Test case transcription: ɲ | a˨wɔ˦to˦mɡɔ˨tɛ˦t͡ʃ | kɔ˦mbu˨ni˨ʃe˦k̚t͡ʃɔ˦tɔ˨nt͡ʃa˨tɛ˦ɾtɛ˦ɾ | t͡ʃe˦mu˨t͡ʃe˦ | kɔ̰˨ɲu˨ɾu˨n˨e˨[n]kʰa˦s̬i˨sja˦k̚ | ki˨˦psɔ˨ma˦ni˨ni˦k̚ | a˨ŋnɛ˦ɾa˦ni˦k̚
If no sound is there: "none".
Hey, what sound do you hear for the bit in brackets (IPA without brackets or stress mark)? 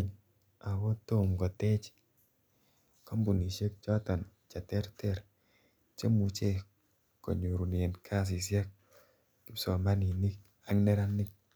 n